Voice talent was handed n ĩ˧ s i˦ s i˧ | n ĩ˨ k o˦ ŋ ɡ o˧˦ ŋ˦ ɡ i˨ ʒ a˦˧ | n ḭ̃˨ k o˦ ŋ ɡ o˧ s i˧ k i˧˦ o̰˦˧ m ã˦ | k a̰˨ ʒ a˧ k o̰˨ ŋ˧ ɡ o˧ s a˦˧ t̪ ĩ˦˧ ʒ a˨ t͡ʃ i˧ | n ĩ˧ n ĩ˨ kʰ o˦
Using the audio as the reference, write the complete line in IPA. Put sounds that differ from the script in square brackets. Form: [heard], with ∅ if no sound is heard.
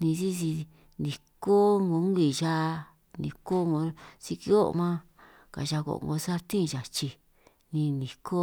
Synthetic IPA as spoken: n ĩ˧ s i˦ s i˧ | n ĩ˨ k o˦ ŋ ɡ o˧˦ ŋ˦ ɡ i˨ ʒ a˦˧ | n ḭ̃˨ k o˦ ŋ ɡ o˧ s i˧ k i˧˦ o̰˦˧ m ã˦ | k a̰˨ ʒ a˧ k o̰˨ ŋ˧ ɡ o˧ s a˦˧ t̪ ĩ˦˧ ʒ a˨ t͡ʃ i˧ | n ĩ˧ n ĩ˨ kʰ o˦